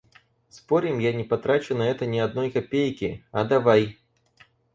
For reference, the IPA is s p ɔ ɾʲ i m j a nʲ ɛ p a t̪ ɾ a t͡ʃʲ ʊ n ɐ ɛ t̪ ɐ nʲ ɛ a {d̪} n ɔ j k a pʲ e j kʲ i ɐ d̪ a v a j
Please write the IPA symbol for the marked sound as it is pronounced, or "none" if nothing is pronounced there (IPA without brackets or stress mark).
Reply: d̪